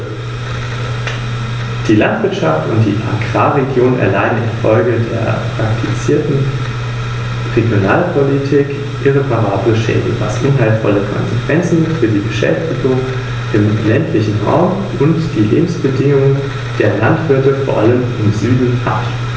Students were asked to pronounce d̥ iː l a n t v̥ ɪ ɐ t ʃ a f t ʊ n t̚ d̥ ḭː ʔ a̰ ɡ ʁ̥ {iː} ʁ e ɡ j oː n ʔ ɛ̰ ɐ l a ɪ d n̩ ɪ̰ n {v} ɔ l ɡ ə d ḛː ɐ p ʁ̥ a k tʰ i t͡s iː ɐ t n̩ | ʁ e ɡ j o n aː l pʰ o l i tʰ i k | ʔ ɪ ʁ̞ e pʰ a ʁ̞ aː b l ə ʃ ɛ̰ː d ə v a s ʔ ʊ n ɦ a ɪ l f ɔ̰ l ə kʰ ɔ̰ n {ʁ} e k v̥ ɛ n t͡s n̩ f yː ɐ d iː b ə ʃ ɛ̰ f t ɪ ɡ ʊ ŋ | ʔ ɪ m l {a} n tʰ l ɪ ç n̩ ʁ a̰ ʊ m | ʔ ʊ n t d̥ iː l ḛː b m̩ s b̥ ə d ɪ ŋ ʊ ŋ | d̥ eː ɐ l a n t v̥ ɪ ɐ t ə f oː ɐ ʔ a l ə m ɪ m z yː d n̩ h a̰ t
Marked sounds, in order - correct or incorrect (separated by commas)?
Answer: incorrect, incorrect, incorrect, incorrect